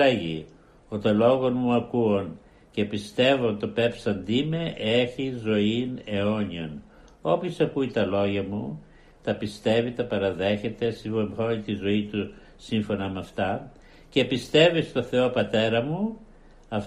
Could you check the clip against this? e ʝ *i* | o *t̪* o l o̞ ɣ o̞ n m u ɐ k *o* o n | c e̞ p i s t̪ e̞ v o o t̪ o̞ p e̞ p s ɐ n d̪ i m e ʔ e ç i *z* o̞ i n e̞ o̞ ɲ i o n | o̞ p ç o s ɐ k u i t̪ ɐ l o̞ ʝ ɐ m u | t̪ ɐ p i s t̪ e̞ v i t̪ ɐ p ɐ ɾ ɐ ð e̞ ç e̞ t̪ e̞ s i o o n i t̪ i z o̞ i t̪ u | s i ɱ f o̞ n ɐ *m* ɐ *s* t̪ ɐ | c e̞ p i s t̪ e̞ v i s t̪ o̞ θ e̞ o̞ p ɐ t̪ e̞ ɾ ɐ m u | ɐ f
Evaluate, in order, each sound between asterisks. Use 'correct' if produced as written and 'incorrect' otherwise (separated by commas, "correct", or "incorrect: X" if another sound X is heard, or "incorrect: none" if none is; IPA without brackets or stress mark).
correct, correct, incorrect: u, correct, correct, incorrect: f